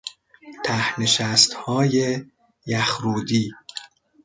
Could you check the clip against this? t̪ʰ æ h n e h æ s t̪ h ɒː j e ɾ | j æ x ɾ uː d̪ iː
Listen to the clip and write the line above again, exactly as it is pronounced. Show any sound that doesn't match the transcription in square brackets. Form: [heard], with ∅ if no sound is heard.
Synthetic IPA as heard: t̪ʰ æ h n e [ʃ] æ s t̪ h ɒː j e [∅] | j æ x ɾ uː d̪ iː